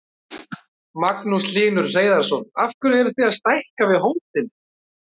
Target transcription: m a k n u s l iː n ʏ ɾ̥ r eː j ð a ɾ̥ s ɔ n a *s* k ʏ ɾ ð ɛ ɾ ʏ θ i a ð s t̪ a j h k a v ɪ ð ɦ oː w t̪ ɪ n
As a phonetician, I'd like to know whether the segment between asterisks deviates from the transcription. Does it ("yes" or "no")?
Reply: yes